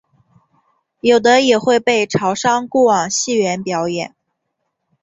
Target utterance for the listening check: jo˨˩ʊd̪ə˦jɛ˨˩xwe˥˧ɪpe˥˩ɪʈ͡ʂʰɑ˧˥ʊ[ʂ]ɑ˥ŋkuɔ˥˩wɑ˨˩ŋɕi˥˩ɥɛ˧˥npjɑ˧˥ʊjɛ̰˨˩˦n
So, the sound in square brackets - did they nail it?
yes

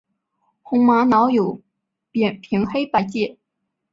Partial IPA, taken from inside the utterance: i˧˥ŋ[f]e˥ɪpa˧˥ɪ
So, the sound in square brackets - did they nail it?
no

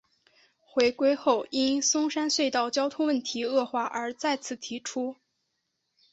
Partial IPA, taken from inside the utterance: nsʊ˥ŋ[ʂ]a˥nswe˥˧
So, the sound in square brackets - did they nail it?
yes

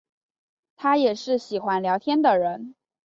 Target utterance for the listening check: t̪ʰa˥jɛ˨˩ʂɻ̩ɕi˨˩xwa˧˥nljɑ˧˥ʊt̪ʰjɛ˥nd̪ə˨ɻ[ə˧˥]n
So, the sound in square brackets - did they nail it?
yes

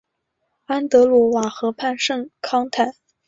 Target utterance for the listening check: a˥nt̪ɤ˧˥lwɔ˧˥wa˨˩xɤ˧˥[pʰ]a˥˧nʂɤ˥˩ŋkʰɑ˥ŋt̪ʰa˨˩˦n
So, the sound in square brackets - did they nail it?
yes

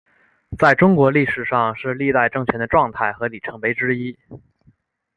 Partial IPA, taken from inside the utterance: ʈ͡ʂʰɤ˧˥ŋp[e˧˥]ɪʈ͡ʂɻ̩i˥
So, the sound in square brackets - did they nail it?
yes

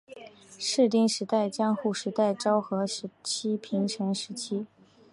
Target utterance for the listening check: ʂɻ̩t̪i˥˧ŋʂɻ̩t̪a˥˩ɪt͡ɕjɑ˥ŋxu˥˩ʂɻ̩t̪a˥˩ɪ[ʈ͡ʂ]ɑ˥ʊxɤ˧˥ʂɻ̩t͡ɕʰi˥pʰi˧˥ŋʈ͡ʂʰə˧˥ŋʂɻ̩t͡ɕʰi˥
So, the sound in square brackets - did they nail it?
yes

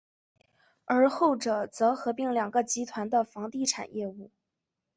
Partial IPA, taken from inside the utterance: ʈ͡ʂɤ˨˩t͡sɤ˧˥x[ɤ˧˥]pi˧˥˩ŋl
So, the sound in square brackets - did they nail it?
yes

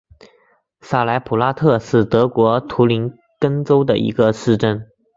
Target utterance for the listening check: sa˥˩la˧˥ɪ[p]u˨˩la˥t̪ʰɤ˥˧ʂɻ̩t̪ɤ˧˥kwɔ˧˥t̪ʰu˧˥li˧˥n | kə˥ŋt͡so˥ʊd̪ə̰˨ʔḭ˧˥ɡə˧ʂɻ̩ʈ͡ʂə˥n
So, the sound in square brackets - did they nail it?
no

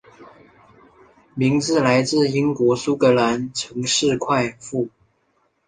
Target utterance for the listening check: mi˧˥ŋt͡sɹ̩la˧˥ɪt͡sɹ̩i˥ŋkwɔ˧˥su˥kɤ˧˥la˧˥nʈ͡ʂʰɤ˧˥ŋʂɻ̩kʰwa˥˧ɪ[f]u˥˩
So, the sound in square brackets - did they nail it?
yes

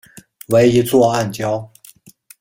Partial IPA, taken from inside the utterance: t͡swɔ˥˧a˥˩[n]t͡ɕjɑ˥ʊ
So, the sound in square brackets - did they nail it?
yes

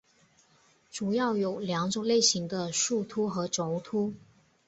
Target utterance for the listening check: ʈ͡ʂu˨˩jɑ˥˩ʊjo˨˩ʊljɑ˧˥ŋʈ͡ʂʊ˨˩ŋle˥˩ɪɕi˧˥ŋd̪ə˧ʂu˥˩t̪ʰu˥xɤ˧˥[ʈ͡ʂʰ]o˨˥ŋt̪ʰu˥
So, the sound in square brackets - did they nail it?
no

